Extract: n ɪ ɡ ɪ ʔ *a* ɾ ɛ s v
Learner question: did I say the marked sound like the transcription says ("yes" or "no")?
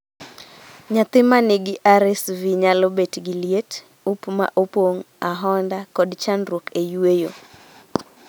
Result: yes